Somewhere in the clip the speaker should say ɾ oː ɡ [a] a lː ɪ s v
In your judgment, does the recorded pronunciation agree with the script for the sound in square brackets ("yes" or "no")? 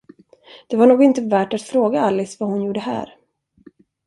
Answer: yes